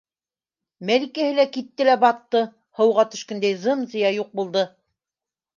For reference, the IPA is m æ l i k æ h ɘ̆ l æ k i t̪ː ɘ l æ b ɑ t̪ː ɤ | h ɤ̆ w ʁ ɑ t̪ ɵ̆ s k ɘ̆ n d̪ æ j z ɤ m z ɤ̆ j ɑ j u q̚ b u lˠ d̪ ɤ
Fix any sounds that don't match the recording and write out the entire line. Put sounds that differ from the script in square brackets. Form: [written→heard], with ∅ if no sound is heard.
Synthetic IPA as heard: m æ l i k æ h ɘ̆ l æ k i t̪ː ɘ l æ b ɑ t̪ː ɤ | h ɤ̆ w ʁ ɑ t̪ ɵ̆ [s→ʃ] k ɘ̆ n d̪ æ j z ɤ m z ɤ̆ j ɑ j u q̚ b u lˠ d̪ ɤ